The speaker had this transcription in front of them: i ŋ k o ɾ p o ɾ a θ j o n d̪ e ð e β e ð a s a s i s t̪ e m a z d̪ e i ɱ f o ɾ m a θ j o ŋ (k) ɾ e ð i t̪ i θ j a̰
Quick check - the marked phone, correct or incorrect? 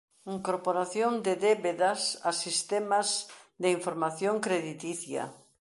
correct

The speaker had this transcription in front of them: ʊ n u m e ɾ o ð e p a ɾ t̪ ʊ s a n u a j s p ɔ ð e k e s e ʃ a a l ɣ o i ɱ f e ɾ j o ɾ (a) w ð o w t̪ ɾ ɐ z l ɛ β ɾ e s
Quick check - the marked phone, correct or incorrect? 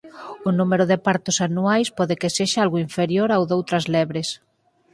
correct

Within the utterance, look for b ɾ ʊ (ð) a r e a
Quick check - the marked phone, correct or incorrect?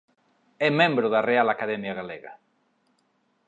correct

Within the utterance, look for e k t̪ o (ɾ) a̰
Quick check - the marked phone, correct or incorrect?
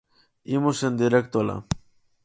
incorrect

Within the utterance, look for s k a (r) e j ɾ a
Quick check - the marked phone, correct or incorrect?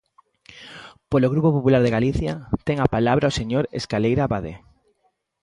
incorrect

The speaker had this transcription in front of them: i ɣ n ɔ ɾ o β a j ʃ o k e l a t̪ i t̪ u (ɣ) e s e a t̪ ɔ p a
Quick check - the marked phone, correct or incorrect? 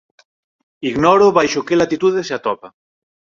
incorrect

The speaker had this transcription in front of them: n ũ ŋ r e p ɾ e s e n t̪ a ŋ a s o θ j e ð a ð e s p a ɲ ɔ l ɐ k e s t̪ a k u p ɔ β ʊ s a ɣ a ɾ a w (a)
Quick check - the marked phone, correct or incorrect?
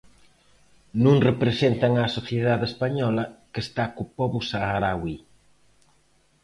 incorrect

